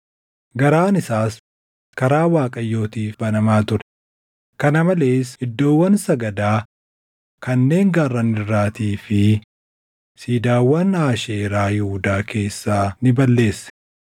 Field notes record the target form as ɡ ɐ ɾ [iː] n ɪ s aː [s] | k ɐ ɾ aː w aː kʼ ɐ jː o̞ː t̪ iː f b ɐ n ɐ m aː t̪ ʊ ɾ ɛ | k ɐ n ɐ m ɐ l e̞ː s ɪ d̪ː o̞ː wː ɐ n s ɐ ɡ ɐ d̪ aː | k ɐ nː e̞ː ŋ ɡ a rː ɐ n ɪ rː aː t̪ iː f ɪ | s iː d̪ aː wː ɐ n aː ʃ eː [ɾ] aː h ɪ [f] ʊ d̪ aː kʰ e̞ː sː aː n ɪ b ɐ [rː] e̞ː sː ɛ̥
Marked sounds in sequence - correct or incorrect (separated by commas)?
incorrect, correct, correct, incorrect, incorrect